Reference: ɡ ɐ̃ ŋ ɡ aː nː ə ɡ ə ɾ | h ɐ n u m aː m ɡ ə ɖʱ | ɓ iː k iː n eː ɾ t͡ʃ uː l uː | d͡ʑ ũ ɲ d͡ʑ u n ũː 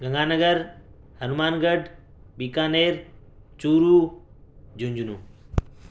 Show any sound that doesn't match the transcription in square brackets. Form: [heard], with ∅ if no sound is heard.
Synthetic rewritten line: ɡ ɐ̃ ŋ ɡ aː [n] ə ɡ ə ɾ | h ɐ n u m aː [n] ɡ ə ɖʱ | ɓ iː k [aː] n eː ɾ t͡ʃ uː [ɾ] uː | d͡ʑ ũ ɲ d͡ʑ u n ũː